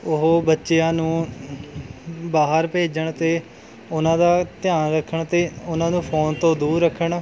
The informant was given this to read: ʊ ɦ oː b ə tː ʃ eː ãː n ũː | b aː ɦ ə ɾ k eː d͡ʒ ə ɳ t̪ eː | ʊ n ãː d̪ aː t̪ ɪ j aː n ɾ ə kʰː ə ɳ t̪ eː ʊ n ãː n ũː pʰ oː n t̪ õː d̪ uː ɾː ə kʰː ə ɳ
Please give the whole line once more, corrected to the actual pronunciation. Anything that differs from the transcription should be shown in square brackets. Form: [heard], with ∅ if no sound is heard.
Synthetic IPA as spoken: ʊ ɦ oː b ə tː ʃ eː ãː n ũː | b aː ɦ ə ɾ [p] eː d͡ʒ ə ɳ t̪ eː | ʊ n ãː d̪ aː t̪ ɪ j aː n ɾ ə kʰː ə ɳ t̪ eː ʊ n ãː n ũː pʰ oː n t̪ õː d̪ uː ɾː ə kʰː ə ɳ